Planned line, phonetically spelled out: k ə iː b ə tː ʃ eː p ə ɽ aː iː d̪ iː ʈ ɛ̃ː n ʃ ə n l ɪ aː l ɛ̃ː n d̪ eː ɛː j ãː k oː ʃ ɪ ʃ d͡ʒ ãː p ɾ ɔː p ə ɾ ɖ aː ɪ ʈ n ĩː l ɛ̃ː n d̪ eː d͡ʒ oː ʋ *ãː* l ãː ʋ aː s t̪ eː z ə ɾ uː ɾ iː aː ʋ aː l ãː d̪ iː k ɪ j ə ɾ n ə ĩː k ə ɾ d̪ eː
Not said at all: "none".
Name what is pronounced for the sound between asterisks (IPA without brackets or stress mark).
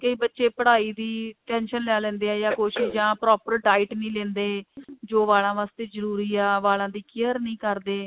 aː